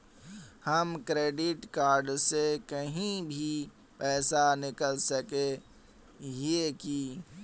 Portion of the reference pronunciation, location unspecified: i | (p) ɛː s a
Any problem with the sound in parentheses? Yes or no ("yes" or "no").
no